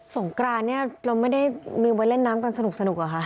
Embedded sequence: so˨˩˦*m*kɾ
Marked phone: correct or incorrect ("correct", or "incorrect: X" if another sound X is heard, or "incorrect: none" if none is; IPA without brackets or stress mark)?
incorrect: ŋ